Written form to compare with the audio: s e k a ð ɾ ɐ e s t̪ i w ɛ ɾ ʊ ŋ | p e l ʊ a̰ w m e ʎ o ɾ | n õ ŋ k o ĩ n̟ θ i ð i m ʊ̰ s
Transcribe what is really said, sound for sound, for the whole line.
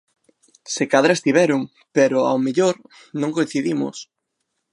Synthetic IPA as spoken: s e k a ð ɾ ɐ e s t̪ i β ɛ ɾ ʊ ŋ | p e ɾ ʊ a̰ w m e ʎ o ɾ | n õ ŋ k o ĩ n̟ θ i ð i m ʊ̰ s